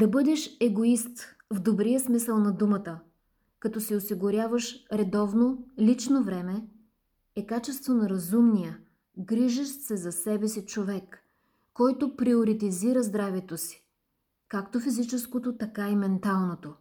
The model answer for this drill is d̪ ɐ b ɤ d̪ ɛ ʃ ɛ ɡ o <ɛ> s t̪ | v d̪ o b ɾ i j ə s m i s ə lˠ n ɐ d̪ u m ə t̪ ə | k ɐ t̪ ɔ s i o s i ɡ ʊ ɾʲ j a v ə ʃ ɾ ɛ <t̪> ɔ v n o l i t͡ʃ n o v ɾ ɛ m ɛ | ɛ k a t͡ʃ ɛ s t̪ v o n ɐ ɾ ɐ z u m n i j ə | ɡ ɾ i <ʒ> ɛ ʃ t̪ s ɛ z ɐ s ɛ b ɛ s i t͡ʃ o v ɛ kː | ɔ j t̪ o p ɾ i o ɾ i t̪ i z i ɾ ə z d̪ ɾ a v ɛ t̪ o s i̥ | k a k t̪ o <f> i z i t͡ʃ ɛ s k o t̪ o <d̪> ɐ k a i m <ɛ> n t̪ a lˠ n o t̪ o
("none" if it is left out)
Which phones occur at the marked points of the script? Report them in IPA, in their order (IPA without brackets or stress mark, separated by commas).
i, d̪, ʒ, f, t̪, ɛ